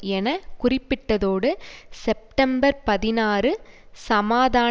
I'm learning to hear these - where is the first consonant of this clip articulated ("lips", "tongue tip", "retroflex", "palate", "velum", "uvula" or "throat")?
tongue tip